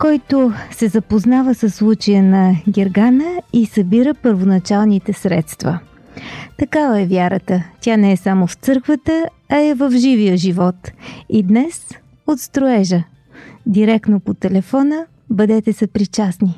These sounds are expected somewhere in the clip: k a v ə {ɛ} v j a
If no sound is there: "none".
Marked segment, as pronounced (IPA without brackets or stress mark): ɛ